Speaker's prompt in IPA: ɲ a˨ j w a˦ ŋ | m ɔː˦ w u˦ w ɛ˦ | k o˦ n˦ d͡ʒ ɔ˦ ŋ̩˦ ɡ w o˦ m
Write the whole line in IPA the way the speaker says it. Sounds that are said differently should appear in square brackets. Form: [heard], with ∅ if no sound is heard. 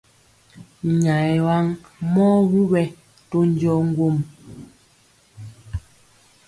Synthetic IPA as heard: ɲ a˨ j w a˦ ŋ | m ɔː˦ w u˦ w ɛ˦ | [t] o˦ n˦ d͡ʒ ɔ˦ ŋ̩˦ ɡ w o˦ m